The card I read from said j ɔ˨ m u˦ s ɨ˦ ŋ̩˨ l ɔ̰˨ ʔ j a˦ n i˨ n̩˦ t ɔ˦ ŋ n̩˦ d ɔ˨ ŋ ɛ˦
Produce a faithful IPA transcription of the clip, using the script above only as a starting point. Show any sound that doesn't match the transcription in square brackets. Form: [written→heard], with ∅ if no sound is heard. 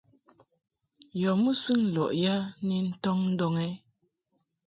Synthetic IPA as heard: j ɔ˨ m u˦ s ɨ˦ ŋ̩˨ l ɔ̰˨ ʔ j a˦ n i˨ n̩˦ t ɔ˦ ŋ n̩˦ d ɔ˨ ŋ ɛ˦